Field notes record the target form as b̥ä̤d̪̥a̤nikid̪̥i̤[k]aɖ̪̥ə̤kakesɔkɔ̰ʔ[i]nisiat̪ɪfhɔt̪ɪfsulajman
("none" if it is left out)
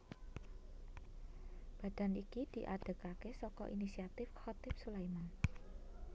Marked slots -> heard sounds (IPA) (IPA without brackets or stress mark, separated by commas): ʔ, i